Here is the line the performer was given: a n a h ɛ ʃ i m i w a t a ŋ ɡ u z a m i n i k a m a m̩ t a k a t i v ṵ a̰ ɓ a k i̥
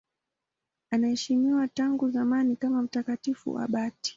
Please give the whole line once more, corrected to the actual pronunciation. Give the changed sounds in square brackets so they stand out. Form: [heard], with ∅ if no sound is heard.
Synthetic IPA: a n a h ɛ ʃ i m i w a t a ŋ ɡ u z a m [a] n i k a m a m̩ t a k a t i [f] ṵ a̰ ɓ a [t] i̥